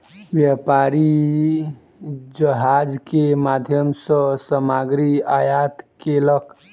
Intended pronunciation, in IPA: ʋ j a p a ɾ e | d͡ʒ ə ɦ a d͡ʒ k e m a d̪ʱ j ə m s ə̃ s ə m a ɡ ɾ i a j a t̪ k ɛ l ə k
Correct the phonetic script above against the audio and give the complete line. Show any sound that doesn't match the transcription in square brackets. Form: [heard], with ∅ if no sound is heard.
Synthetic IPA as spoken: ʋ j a p a ɾ [i] | d͡ʒ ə ɦ a d͡ʒ k e m a d̪ʱ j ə m s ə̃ s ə m a ɡ ɾ i a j a t̪ k [e] l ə k

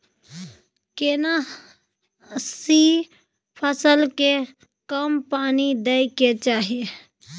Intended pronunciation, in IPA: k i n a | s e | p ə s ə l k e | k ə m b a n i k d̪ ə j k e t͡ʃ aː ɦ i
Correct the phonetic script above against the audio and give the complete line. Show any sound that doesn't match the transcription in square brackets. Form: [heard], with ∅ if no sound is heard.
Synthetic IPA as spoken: k [e] n a | s [i] | [pʰ] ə s ə l k e | k ə m [p] a n i [∅] d̪ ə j k e t͡ʃ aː ɦ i

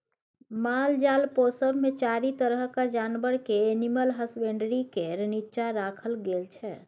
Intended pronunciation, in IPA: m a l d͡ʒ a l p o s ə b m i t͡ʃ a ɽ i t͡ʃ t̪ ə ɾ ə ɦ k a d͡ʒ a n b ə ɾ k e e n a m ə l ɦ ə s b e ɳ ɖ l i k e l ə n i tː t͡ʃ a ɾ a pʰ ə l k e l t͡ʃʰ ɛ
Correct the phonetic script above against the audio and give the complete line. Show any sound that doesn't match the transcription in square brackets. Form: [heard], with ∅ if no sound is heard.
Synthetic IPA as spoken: m a l d͡ʒ a l p o s ə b m [e] t͡ʃ a [ɾ] i [∅] t̪ ə ɾ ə ɦ k a d͡ʒ a n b ə ɾ k e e n [i] m ə l ɦ ə s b e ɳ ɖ [ɾ] i k e [ɾ] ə n i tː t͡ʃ a ɾ a [kʰ] ə l [ɡ] e l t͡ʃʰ ɛ

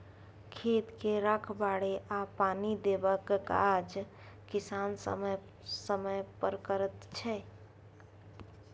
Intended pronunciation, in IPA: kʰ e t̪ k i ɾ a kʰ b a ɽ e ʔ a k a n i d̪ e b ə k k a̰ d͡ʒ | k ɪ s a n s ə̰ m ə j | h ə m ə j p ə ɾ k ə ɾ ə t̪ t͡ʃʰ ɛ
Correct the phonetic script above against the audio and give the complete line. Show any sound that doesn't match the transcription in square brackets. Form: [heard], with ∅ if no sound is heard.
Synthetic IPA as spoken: kʰ e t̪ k [e] ɾ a kʰ b a ɽ e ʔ a [p] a n i d̪ e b ə k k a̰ d͡ʒ | k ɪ s a n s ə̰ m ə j | [s] ə m ə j p ə ɾ k ə ɾ ə t̪ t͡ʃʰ ɛ

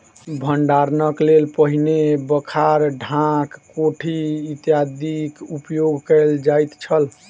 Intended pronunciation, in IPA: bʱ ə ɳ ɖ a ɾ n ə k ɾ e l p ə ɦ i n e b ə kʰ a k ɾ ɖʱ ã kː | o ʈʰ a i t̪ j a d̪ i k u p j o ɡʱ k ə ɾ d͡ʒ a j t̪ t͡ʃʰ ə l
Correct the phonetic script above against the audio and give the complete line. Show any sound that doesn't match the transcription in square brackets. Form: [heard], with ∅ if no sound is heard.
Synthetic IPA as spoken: bʱ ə ɳ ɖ a ɾ n ə k [l] e l p ə ɦ i n e b ə kʰ a [∅] ɾ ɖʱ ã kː | o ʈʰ [i] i t̪ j a d̪ i k u p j o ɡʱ k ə [l] d͡ʒ a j t̪ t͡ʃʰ ə l

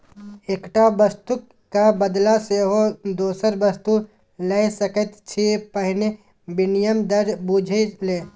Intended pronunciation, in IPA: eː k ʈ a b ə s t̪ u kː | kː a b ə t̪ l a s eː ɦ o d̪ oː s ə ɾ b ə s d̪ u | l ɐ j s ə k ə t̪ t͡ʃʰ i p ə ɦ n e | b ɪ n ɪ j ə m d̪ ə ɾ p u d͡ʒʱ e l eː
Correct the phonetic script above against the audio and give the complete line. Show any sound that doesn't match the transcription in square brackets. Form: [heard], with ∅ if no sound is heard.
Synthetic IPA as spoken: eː k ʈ a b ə s t̪ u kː | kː a b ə [d̪] l a s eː ɦ o d̪ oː s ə ɾ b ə s [t̪] u | l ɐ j s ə k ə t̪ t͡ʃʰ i p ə ɦ n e | b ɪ n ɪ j ə m d̪ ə ɾ [b] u d͡ʒʱ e l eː

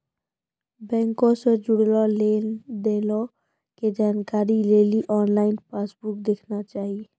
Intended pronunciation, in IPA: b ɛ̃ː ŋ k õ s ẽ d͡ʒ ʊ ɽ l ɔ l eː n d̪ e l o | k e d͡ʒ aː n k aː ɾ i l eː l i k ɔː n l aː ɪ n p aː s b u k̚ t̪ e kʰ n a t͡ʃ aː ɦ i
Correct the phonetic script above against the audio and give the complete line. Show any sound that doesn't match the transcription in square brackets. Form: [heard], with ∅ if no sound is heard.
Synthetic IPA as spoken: b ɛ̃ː ŋ k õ s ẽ d͡ʒ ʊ ɽ l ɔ l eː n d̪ e l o | k e d͡ʒ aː n k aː ɾ i l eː l i [ʔ] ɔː n l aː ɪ n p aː s b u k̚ [d̪] e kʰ n a t͡ʃ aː ɦ i

